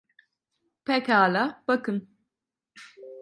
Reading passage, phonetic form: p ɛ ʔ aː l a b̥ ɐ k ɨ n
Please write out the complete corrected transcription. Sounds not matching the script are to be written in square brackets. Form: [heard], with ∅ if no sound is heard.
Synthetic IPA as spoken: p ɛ [k] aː l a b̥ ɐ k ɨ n